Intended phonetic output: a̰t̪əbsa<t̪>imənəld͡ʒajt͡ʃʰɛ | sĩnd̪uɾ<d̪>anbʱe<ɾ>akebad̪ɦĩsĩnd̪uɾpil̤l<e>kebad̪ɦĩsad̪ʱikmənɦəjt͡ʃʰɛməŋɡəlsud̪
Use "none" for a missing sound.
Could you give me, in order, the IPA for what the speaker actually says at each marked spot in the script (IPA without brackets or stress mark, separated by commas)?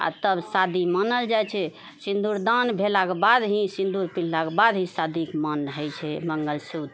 d̪, d̪, l, a